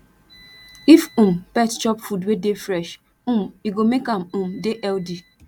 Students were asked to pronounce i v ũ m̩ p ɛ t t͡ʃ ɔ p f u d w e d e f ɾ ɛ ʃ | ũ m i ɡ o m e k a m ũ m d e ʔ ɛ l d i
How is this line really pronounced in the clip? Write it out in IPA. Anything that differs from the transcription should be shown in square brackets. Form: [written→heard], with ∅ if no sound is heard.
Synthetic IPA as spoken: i [v→f] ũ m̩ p ɛ t t͡ʃ ɔ p f u d w e d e f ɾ ɛ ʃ | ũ m i ɡ o m e k a m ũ m d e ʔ ɛ l d i